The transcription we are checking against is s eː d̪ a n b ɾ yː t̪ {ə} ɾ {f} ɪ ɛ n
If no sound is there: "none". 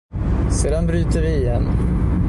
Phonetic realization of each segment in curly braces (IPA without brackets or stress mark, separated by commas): ə, v